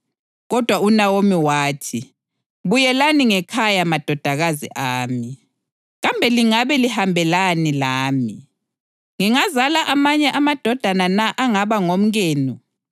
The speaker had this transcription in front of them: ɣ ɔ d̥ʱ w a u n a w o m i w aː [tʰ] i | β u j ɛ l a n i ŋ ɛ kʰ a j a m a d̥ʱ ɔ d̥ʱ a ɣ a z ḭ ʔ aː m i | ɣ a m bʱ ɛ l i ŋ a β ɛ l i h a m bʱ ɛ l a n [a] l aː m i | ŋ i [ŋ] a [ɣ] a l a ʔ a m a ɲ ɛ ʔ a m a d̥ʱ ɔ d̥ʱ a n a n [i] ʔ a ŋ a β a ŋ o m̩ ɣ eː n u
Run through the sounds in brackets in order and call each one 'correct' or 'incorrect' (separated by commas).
correct, incorrect, correct, incorrect, incorrect